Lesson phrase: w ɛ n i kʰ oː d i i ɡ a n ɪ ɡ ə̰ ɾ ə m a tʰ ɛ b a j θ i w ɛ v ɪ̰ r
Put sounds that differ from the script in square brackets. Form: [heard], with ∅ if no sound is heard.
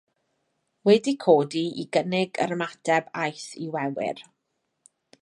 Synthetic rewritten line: w ɛ [d] i kʰ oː d i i ɡ [ə] n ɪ ɡ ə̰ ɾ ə m a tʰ ɛ b a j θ i w ɛ [w] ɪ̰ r